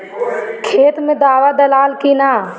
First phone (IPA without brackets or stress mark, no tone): kʰ